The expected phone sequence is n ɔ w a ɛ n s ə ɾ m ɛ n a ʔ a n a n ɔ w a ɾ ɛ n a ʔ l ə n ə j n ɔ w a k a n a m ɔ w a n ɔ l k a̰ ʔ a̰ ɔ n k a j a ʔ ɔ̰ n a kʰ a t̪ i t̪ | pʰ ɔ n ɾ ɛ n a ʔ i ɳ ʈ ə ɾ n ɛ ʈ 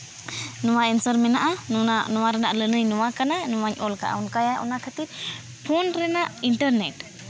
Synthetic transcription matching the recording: n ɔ w a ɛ n s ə ɾ m ɛ n a ʔ a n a n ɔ w a ɾ ɛ n a ʔ l ə n ə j n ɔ w a k a n a n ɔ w a ɲ ɔ l k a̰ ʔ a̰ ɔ n k a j a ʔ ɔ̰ n a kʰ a t̪ i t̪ | pʰ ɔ n ɾ ɛ n a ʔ i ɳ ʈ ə ɾ n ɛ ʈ